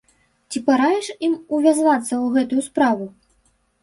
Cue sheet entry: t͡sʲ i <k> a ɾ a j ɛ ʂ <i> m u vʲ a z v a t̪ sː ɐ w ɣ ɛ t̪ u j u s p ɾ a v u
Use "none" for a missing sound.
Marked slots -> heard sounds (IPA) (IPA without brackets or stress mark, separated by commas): p, i